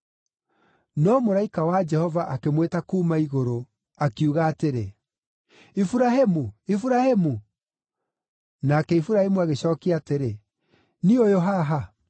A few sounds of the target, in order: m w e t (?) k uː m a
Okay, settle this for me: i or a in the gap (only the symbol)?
a